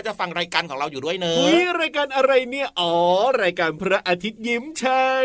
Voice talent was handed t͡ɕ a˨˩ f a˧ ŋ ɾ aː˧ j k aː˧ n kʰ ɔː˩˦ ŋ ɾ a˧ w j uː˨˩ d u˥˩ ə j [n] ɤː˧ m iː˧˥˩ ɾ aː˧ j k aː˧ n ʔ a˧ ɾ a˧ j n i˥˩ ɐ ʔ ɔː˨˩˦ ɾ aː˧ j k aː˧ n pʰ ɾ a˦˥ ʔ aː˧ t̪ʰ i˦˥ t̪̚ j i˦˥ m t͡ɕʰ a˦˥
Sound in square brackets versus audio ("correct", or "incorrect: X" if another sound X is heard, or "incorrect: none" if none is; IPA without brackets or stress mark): correct